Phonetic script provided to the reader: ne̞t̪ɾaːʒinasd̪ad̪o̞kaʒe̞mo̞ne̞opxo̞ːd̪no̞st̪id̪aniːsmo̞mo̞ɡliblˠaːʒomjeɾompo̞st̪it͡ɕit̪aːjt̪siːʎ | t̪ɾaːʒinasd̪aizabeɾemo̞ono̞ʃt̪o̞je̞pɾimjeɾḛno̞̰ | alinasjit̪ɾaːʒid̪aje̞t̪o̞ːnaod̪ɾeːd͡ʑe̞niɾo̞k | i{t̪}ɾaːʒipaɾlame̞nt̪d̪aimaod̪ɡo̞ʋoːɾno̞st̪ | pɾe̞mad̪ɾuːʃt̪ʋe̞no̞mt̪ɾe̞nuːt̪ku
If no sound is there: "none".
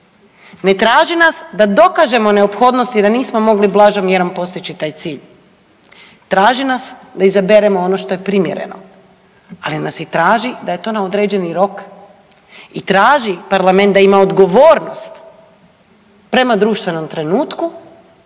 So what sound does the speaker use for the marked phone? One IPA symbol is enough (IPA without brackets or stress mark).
t̪